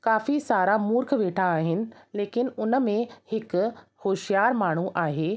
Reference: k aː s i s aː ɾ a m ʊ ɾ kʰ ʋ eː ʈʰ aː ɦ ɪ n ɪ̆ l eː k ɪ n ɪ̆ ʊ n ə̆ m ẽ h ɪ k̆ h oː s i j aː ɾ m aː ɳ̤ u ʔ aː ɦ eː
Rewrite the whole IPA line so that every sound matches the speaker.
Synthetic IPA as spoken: k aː f i s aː ɾ a m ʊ ɾ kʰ ʋ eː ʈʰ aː ɦ ɪ n ɪ̆ l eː k ɪ n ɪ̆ ʊ n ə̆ m ẽ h ɪ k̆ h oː ʃ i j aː ɾ m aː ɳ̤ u ʔ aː ɦ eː